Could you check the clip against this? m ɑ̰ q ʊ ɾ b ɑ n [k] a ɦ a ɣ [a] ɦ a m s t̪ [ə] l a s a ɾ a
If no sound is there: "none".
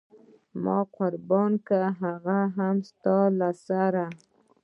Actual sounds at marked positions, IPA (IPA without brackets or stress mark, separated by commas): k, a, ɑ